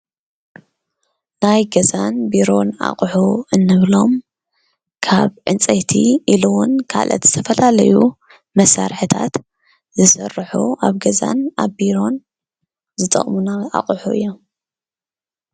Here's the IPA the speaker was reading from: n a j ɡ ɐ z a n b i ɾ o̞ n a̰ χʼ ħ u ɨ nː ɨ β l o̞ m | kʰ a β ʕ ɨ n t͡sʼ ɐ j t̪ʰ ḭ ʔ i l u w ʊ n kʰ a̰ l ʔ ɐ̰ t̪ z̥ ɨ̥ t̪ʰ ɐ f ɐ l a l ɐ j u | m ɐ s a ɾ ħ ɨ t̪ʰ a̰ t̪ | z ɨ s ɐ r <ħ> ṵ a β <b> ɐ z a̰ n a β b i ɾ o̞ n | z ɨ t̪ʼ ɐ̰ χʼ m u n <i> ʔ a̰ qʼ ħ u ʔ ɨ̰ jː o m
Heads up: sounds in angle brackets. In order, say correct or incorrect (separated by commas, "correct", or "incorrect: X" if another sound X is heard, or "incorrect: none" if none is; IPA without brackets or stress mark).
correct, incorrect: ɡ, incorrect: a